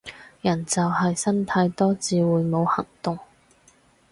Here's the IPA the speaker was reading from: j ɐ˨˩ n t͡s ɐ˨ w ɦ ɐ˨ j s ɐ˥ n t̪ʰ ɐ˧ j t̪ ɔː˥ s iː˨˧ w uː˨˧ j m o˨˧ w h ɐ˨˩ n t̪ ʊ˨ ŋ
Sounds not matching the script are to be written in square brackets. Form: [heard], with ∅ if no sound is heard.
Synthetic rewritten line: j ɐ˨˩ n t͡s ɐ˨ w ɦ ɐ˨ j s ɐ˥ n t̪ʰ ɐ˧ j t̪ ɔː˥ [t͡s] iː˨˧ w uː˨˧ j m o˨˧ w h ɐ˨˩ [ŋ] t̪ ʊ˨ ŋ